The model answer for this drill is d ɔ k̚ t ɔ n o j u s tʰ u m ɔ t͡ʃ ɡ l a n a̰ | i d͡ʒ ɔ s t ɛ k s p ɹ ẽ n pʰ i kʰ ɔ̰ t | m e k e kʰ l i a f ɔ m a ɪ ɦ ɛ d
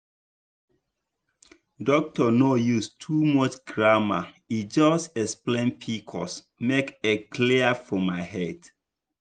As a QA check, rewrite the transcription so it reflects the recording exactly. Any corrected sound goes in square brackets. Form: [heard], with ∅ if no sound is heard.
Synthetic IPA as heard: d ɔ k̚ t ɔ n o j u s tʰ u m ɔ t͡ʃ ɡ [ɹ] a [m] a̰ | i d͡ʒ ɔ s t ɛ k s p [l] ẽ n pʰ i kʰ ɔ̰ [s] | m e k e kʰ l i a f ɔ m a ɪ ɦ ɛ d